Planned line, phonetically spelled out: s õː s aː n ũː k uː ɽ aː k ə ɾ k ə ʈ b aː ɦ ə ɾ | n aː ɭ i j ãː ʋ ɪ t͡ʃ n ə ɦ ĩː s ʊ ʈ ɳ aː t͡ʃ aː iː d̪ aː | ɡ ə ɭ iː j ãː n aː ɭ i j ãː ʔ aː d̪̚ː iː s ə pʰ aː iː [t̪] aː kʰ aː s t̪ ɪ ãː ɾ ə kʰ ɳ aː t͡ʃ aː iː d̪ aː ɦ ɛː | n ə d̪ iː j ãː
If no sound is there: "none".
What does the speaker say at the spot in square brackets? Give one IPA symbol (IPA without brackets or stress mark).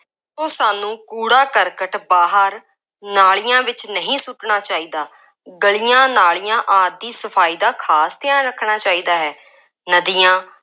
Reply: d̪